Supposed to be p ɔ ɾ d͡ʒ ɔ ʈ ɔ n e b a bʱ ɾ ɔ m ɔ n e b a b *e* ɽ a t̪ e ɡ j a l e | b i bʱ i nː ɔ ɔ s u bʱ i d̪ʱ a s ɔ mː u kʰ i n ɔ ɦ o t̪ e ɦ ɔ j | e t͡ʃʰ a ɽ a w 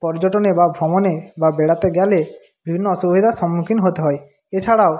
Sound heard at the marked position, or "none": e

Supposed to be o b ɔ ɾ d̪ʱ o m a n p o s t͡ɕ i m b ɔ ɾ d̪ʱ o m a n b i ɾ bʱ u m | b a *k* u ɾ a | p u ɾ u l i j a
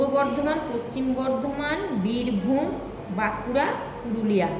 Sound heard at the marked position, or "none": k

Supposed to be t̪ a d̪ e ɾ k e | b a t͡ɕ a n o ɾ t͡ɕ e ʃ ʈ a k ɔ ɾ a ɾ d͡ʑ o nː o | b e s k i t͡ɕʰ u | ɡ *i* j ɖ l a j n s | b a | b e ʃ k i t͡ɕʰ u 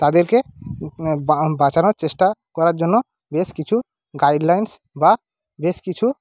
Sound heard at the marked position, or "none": a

